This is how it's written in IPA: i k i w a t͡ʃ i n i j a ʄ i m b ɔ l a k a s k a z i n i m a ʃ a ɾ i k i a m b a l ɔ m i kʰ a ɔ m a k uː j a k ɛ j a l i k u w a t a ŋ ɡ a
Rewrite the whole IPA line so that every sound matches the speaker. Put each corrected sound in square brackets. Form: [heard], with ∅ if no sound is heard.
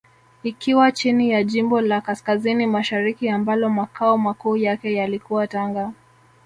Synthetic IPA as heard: i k i w a t͡ʃ i n i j a ʄ i m b ɔ l a k a s k a z i n i m a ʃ a ɾ i k i a m b a l ɔ m [a] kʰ a ɔ m a k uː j a k ɛ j a l i k u w a t a ŋ ɡ a